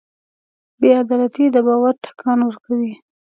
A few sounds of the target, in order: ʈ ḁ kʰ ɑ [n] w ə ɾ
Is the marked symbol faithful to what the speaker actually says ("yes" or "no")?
yes